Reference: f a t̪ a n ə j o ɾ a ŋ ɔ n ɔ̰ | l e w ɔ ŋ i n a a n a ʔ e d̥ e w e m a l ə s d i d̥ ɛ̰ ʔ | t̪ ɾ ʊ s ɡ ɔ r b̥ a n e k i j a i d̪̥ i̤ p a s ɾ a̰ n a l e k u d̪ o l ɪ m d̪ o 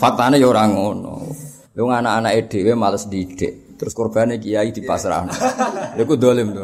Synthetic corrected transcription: f a t̪ a n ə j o ɾ a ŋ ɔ n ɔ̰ | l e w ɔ ŋ a n a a n a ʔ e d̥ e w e m a l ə s d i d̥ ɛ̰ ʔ | t̪ ɾ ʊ s k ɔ r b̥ a n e k i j a i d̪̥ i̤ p a s ɾ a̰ n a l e k u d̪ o l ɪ m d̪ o